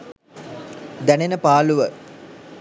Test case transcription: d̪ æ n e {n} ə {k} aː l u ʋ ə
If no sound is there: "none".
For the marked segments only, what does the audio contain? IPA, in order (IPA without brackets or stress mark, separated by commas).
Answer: n, p